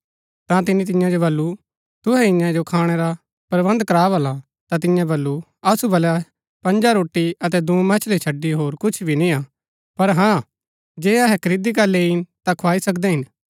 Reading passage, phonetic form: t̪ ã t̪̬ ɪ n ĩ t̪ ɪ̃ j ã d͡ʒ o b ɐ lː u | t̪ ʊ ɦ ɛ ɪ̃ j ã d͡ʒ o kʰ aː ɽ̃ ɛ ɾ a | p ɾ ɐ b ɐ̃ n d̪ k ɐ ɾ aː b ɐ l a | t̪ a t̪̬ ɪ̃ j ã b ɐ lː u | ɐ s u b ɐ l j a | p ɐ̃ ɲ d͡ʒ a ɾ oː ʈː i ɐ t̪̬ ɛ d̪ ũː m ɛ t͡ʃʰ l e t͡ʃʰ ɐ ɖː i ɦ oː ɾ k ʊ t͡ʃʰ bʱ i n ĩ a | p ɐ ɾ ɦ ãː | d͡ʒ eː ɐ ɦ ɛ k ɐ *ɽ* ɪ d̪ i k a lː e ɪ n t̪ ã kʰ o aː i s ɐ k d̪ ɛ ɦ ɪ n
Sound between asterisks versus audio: incorrect: ɾ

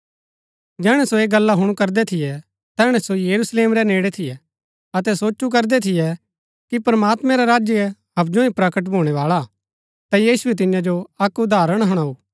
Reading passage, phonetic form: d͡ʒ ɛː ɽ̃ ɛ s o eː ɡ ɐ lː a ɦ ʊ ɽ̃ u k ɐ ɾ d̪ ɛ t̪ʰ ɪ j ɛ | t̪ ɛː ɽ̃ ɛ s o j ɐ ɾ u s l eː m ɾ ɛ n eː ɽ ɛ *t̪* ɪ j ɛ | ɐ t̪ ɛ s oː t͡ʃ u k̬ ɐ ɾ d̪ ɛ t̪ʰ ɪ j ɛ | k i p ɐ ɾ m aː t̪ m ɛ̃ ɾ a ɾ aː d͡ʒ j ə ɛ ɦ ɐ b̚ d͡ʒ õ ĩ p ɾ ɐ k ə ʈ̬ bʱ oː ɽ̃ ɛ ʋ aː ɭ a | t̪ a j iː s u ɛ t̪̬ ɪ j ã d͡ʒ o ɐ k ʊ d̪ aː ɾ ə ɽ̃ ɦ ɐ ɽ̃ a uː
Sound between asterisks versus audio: incorrect: t̪ʰ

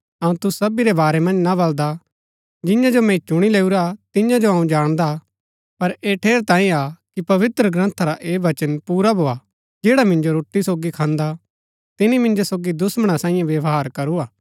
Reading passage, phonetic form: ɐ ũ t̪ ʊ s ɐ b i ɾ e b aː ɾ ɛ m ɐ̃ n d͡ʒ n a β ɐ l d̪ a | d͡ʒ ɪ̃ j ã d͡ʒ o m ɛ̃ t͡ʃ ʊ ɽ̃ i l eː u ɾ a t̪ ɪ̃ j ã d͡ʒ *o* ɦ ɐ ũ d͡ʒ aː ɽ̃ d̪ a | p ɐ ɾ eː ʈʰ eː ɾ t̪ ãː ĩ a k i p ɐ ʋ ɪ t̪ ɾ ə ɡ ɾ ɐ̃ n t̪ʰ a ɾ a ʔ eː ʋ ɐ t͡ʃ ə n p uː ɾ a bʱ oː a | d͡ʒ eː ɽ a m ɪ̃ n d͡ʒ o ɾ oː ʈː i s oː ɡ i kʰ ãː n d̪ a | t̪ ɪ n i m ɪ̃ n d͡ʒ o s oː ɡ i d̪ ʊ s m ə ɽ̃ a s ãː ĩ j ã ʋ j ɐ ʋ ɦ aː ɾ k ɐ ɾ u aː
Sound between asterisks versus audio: correct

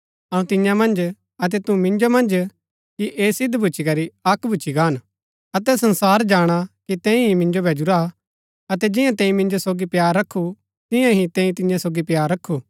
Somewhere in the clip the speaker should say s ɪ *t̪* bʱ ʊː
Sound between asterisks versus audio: incorrect: d̪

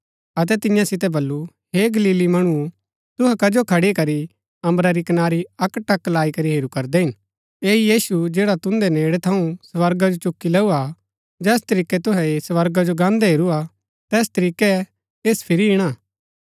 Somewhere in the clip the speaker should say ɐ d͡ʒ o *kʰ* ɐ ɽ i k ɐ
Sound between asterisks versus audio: correct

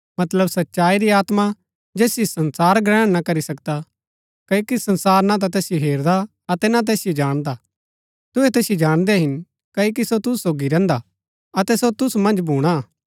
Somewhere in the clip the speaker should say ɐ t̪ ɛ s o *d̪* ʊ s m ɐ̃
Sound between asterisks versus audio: incorrect: t̪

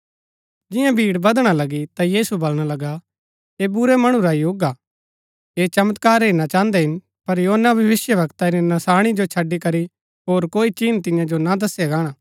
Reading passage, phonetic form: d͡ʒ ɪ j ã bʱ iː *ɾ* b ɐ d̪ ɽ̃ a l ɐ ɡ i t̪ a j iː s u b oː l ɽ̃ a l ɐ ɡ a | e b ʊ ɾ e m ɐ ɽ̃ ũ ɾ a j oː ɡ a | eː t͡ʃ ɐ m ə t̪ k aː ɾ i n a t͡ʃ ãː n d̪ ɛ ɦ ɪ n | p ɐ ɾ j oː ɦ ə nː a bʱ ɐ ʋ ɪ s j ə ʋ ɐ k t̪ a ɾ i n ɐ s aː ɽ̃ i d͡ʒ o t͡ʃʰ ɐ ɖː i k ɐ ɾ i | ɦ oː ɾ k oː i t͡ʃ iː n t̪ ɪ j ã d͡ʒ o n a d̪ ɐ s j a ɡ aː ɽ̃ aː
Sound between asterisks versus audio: incorrect: ɽ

